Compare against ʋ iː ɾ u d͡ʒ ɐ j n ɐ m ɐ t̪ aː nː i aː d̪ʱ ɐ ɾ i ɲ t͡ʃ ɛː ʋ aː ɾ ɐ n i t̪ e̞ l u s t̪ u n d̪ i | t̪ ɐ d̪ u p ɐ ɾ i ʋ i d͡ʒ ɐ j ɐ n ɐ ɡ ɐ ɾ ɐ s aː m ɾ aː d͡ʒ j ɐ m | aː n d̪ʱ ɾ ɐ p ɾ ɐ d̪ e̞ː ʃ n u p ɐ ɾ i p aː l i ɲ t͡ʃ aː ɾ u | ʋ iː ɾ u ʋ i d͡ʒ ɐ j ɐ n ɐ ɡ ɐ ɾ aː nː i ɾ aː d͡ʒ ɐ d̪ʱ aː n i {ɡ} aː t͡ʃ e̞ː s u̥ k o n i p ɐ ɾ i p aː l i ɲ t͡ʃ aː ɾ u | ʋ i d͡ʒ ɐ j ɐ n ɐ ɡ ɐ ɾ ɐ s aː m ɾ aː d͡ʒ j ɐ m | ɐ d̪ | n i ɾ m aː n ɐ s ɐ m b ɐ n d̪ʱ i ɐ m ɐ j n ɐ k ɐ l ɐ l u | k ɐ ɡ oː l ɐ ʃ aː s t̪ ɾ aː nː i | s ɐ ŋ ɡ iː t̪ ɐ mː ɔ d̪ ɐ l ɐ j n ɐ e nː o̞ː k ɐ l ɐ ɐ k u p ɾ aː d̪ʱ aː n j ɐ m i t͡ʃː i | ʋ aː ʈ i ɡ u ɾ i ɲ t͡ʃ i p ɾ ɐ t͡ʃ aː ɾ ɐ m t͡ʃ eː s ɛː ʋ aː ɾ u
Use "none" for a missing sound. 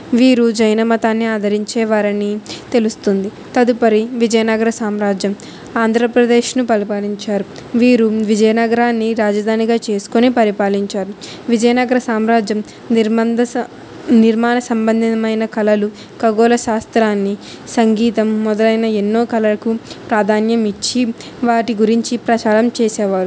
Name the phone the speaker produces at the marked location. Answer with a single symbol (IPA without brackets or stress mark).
ɡ